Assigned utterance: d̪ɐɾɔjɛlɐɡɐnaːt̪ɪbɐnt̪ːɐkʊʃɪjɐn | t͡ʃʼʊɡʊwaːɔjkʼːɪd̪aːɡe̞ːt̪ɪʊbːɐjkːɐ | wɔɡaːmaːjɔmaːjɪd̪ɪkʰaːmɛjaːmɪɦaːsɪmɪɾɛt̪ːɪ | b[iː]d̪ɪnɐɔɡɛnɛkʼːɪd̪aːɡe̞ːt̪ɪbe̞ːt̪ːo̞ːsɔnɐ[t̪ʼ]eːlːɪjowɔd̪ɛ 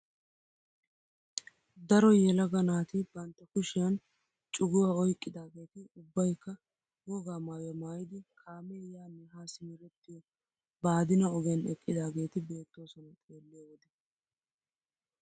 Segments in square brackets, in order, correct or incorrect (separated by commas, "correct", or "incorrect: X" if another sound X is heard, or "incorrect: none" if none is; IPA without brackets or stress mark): incorrect: aː, correct